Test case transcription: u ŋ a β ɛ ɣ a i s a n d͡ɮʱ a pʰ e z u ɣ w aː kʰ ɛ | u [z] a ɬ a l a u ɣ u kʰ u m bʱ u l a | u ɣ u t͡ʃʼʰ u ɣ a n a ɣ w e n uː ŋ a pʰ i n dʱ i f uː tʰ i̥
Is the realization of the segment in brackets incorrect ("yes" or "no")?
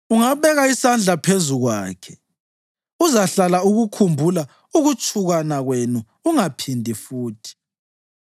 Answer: no